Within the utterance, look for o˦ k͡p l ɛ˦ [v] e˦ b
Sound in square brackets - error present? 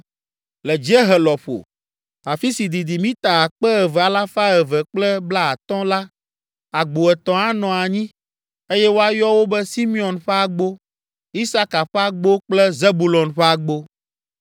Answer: yes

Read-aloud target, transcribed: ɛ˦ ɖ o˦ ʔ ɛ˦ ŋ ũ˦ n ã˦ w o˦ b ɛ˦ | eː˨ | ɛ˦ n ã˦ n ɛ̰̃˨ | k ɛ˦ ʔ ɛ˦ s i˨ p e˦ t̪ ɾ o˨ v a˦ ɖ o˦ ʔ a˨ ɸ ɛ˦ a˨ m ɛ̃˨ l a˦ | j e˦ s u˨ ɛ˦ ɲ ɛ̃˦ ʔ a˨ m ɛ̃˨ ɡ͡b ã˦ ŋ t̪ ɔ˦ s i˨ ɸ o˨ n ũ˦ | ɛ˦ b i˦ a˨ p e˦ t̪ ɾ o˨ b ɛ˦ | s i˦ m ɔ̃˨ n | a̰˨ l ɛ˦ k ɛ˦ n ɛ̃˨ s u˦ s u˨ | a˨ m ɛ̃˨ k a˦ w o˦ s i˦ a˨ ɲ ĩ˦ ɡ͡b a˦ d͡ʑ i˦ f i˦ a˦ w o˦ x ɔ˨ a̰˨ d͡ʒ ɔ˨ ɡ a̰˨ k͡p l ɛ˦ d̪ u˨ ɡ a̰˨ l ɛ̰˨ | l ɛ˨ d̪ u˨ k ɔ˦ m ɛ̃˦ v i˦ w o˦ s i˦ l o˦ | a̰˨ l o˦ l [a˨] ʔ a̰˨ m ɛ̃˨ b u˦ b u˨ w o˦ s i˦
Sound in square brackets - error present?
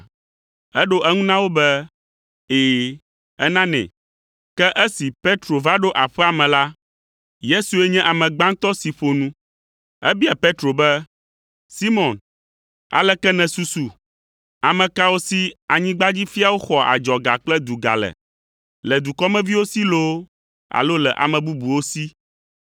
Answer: yes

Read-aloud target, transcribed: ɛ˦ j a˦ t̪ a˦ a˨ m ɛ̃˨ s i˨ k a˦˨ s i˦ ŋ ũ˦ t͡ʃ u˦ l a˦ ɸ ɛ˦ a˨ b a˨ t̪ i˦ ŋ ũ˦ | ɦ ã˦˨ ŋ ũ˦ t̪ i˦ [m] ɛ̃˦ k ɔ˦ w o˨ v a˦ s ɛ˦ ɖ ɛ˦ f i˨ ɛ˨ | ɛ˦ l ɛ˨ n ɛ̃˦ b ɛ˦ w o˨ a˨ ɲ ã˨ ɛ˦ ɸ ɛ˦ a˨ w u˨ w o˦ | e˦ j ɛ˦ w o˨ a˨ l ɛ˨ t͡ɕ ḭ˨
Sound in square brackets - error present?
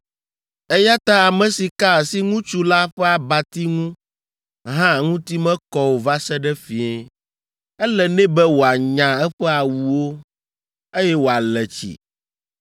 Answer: no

